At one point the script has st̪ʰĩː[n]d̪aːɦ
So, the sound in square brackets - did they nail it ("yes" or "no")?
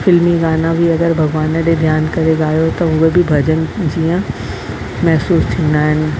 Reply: yes